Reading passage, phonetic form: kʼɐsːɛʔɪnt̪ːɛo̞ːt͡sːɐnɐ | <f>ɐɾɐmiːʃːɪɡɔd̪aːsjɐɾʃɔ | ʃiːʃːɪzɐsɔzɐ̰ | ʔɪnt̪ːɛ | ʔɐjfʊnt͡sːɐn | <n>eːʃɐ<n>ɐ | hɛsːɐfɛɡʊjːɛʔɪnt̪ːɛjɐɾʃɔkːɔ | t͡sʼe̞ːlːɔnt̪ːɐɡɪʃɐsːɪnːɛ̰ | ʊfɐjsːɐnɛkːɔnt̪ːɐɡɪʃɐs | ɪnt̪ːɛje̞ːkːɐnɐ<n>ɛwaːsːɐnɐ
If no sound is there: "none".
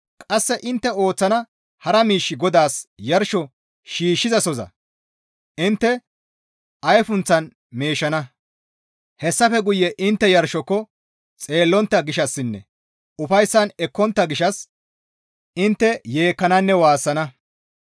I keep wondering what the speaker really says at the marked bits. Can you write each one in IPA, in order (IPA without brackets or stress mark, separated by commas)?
h, m, n, nː